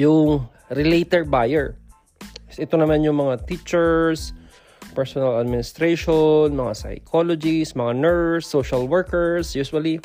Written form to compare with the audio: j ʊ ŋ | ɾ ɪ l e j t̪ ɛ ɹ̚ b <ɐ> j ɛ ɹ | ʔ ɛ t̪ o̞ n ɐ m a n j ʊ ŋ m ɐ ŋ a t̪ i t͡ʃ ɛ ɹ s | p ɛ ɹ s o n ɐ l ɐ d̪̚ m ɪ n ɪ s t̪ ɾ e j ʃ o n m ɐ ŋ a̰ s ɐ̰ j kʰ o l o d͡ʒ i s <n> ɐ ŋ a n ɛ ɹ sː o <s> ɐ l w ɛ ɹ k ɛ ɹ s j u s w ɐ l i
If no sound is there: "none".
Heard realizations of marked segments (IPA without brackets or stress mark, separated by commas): a, m, ʃ